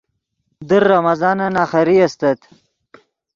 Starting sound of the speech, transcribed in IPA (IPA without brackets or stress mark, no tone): d̪